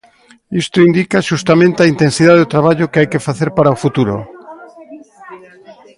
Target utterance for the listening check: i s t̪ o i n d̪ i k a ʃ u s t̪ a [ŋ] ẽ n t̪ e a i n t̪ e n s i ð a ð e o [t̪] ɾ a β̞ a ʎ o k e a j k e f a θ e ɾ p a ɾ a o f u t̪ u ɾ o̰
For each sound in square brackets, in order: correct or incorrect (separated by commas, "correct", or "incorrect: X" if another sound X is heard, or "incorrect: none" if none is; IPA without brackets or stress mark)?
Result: incorrect: m, correct